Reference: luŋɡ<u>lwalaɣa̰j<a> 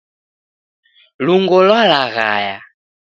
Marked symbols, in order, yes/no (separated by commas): no, yes